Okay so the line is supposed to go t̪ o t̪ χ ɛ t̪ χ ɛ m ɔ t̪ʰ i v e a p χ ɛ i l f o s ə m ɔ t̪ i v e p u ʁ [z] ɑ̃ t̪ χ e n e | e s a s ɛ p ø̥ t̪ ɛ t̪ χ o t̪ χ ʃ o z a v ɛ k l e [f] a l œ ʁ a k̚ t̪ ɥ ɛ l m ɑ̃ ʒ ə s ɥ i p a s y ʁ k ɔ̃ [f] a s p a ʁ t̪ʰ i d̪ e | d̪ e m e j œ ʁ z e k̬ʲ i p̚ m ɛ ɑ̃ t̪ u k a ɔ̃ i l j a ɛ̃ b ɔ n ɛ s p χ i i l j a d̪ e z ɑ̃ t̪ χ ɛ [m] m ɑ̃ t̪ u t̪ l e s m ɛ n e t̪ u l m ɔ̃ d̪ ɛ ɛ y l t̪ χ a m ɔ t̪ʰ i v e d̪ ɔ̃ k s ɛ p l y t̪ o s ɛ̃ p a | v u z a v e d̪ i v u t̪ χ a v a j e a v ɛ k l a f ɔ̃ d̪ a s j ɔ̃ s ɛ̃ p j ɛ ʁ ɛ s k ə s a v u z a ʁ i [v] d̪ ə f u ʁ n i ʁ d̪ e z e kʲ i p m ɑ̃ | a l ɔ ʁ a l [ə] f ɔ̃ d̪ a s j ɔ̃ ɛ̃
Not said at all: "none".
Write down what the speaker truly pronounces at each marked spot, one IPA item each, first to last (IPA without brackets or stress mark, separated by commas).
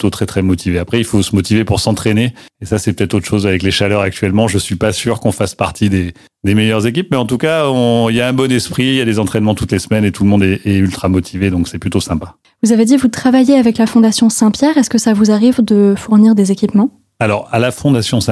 s, ʃ, f, n, v, a